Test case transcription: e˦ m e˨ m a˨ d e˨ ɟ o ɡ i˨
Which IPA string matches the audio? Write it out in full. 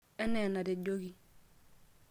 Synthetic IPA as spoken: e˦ n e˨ n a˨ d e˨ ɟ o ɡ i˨